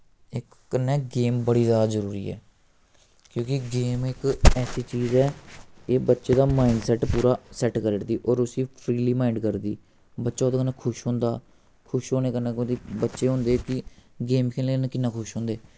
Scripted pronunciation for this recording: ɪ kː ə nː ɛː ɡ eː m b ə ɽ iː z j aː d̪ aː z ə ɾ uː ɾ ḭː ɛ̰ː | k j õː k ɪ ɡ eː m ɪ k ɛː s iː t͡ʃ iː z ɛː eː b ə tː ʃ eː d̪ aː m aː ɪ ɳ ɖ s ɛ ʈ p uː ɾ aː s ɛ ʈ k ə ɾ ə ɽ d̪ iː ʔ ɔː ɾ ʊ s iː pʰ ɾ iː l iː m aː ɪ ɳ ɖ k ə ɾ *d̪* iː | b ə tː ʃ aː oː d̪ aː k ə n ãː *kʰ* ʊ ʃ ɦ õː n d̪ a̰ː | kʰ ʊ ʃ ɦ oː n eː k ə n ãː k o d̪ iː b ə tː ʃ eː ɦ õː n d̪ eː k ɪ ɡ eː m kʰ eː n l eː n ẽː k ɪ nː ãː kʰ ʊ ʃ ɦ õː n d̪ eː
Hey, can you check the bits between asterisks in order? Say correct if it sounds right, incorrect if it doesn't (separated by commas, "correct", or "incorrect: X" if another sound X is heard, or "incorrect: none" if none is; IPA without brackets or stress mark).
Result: correct, correct